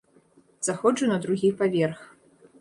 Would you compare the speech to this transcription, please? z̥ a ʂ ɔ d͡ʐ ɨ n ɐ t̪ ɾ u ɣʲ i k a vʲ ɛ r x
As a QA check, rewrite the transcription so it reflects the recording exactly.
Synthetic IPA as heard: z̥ a x ɔ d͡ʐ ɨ n ɐ d̪ ɾ u ɣʲ i p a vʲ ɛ r x